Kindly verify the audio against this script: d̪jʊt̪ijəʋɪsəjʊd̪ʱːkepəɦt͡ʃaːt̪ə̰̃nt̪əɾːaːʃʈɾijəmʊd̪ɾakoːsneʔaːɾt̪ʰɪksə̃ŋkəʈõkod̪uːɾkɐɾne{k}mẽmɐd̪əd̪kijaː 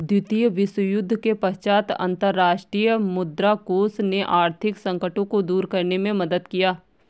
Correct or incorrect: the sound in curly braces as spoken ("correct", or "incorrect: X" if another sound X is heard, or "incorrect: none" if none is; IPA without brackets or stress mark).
incorrect: none